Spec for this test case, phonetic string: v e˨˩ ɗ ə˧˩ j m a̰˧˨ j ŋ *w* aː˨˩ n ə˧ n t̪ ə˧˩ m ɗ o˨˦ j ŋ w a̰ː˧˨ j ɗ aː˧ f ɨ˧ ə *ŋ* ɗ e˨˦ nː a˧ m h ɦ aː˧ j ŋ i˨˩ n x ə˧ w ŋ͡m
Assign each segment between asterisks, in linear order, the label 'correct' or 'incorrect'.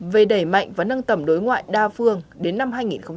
incorrect: v, correct

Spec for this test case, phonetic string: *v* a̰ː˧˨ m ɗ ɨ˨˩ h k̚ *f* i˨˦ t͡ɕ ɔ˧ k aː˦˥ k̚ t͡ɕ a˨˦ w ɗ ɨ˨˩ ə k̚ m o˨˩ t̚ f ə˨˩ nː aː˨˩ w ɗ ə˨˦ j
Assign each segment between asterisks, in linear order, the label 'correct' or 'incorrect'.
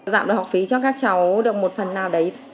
incorrect: z, correct

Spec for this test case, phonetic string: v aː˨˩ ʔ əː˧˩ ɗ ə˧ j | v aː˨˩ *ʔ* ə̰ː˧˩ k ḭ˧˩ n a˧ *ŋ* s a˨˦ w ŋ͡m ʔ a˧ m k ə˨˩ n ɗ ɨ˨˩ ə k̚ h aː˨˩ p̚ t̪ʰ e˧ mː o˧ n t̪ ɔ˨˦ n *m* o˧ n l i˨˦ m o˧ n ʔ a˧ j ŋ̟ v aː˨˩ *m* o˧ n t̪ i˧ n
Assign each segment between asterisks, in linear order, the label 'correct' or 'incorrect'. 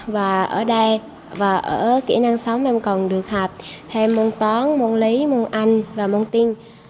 correct, correct, correct, correct

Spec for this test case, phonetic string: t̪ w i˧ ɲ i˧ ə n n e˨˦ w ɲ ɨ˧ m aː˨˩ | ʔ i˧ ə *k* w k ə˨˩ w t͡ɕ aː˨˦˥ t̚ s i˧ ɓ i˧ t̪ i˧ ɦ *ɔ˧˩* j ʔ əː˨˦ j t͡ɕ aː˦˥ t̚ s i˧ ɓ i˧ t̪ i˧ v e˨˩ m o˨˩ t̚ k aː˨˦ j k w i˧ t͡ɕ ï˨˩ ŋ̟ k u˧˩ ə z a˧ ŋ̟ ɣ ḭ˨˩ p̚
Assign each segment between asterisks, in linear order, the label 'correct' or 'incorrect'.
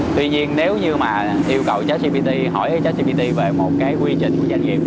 incorrect: none, correct

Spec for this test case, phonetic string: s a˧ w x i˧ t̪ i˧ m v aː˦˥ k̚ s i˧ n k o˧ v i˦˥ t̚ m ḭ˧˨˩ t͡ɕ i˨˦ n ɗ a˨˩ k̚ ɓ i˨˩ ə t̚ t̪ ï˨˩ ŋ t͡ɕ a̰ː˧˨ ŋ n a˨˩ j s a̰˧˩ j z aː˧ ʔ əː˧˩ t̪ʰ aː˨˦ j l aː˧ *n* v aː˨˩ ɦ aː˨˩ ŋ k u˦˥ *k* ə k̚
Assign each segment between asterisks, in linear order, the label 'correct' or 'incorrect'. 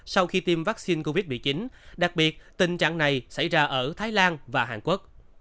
correct, incorrect: none

